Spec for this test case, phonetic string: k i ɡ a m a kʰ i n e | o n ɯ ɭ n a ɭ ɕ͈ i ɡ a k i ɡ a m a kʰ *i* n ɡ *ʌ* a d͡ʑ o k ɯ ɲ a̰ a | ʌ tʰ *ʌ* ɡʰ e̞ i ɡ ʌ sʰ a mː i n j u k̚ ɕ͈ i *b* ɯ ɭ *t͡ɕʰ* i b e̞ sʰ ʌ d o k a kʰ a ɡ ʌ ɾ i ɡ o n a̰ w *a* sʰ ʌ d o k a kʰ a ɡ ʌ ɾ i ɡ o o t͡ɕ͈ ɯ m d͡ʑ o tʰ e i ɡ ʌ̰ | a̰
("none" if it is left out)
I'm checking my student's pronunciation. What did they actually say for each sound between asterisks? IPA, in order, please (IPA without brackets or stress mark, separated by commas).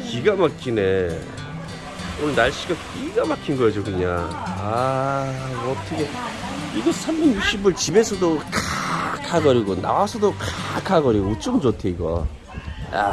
i, ʌ, ʌ, b, t͡ɕ, a